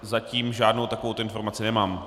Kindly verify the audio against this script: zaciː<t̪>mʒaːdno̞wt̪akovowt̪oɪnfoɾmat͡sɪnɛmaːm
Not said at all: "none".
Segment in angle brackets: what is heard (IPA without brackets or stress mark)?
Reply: none